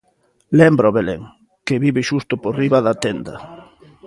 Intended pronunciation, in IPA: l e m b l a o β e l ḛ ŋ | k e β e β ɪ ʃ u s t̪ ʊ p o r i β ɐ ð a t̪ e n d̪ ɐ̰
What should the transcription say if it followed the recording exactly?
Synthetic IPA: l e m b ɾ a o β e l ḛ ŋ | k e β i β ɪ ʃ u s t̪ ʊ p o r i β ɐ ð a t̪ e n d̪ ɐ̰